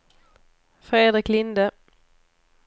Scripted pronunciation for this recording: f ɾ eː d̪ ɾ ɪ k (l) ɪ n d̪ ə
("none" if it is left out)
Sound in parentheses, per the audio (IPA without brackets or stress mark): l